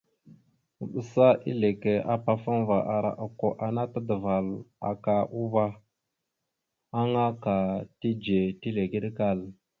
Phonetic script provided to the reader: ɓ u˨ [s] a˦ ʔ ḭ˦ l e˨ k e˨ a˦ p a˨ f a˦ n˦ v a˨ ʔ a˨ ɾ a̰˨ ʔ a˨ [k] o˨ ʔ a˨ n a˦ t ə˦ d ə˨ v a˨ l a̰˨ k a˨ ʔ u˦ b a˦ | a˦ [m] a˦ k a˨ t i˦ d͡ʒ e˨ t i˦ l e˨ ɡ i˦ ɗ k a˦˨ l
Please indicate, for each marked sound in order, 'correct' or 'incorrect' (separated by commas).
correct, correct, incorrect